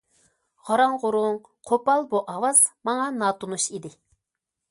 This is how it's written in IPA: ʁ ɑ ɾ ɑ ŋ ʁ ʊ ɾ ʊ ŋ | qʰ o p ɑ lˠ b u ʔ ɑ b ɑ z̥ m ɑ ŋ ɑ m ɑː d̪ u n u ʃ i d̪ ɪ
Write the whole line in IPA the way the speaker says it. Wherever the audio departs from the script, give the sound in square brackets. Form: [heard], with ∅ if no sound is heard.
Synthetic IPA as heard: ʁ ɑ ɾ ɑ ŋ ʁ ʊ ɾ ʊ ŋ | qʰ o p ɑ lˠ b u ʔ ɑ [w] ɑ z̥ m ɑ ŋ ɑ [n] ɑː [t̪] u n u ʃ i d̪ ɪ